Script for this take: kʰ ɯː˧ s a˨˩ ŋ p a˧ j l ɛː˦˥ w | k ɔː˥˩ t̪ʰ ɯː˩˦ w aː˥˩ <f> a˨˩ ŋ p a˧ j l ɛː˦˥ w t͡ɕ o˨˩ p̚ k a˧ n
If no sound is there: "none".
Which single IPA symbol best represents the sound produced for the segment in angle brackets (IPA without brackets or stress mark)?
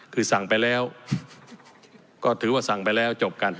s